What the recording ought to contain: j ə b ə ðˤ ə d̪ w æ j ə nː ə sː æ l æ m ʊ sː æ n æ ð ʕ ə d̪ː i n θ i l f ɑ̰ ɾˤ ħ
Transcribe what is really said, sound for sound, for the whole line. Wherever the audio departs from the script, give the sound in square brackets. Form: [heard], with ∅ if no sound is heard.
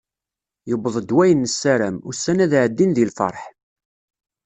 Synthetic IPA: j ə b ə ðˤ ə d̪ w æ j ə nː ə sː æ [ɾ] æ m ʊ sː æ n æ ð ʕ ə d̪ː i n [ð] i l f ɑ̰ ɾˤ ħ